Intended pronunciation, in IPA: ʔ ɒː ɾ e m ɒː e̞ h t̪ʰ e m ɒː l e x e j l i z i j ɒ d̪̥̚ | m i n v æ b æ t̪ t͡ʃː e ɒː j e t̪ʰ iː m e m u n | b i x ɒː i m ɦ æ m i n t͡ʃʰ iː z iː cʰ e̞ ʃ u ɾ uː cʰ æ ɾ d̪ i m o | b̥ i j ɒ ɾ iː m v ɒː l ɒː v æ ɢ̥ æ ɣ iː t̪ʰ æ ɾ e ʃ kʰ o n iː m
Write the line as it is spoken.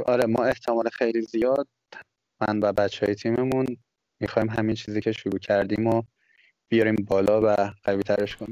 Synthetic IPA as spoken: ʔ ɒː ɾ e m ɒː e̞ h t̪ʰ e m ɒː l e x e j l i z i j ɒ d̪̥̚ | m æ n v æ b æ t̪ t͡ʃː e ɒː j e t̪ʰ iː m e m u n | m i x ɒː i m ɦ æ m i n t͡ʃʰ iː z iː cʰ e̞ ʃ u ɾ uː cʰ æ ɾ d̪ i m o | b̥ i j ɒ ɾ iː m b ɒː l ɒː v æ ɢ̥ æ v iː t̪ʰ æ ɾ e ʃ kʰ o n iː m